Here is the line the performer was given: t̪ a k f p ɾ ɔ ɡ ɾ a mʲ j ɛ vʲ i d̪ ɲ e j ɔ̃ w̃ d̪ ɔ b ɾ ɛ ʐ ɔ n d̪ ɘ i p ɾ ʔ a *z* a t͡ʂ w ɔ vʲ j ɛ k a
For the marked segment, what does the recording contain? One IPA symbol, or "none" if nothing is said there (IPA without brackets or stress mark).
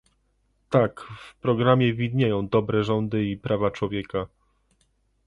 v